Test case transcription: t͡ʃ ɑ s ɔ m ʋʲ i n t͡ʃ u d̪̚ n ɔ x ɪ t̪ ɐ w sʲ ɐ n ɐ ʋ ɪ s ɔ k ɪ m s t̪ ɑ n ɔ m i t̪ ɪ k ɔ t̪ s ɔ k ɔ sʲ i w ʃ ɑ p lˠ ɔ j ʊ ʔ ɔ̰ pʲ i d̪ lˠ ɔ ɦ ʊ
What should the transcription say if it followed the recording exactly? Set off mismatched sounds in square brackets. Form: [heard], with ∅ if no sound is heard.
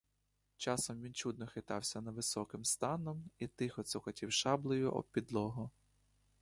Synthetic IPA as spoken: t͡ʃ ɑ s ɔ m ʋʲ i n t͡ʃ u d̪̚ n ɔ x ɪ t̪ [ɑ] w sʲ ɐ n ɐ ʋ ɪ s ɔ k ɪ m s t̪ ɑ n ɔ m i t̪ ɪ [x] ɔ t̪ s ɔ k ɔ [tʲ] i w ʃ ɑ [b] lˠ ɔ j ʊ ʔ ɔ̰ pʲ i d̪ lˠ ɔ ɦ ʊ